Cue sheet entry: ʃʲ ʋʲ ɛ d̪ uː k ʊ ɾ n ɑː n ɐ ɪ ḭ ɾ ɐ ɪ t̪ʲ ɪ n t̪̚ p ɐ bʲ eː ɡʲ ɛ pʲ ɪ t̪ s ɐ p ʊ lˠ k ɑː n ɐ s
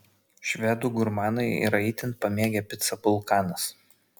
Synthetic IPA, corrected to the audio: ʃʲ ʋʲ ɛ d̪ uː ɡ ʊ ɾ m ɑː n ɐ ɪ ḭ ɾ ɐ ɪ t̪ʲ ɪ n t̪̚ p ɐ mʲ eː ɡʲ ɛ pʲ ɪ t̪ s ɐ p ʊ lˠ k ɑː n ɐ s